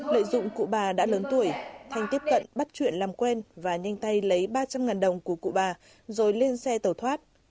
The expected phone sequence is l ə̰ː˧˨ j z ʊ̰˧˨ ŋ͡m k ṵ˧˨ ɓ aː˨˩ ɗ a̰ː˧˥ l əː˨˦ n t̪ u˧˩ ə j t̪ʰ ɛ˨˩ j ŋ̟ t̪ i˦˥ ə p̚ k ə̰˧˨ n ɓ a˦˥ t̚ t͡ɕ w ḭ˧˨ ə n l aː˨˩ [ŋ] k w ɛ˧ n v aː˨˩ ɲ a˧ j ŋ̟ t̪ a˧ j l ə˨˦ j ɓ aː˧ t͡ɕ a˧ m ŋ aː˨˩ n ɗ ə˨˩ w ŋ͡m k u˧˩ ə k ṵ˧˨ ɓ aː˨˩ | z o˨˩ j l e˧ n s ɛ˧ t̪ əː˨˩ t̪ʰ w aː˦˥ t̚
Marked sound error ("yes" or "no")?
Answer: yes